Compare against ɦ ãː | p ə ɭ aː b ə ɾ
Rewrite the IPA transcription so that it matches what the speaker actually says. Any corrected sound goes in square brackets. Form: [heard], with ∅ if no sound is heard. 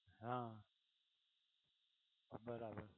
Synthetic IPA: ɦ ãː | [b] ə [ɾ] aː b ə ɾ